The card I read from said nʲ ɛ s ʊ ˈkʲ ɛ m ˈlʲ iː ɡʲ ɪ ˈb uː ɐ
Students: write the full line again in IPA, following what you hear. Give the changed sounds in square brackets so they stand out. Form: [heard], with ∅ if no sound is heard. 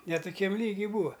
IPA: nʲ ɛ [t] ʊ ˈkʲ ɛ m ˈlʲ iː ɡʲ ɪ ˈb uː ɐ